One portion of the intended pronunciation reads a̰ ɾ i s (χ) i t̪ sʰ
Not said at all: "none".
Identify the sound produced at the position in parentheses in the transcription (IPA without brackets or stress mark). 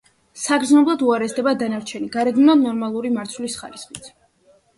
χ